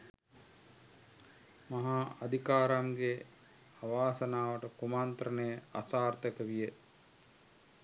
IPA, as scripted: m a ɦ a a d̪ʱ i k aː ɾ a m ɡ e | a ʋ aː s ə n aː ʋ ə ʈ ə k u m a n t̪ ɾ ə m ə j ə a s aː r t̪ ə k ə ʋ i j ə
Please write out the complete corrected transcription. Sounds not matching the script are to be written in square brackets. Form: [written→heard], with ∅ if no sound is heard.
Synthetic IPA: m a ɦ a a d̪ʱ i k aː ɾ a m ɡ e | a ʋ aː s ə n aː ʋ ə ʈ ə k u m a n t̪ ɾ ə [m→n] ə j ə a s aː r t̪ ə k ə ʋ i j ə